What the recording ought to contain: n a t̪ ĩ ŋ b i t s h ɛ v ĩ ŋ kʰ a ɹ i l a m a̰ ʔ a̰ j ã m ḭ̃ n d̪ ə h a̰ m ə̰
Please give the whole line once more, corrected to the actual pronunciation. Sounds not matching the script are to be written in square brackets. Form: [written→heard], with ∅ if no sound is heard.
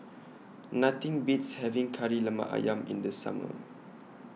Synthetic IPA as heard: n a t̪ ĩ ŋ b i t s h ɛ v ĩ ŋ kʰ a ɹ i l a m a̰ ʔ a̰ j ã m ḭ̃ n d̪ ə [h→s] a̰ m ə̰